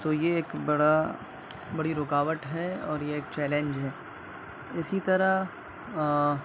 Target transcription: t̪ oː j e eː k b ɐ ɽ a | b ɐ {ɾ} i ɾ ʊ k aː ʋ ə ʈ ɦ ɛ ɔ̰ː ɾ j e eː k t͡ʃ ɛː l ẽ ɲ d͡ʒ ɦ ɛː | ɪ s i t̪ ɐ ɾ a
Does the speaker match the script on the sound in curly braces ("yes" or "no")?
no